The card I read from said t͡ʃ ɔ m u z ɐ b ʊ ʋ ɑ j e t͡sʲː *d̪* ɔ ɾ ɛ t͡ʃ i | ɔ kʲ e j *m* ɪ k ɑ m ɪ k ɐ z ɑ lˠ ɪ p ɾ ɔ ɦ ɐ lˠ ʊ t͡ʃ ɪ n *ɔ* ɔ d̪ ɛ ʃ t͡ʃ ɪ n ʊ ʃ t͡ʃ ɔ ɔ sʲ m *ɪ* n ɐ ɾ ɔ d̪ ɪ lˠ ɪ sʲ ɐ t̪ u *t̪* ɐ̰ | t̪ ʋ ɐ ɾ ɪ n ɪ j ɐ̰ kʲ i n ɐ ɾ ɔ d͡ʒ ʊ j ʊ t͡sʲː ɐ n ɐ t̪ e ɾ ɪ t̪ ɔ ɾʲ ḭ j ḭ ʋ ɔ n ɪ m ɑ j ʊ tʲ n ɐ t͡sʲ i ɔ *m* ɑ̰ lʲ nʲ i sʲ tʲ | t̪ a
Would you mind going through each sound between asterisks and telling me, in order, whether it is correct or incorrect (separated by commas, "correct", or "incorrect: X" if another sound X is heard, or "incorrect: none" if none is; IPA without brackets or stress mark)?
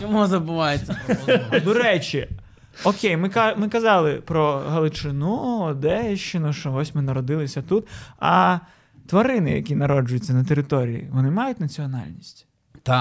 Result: correct, correct, incorrect: u, correct, correct, incorrect: n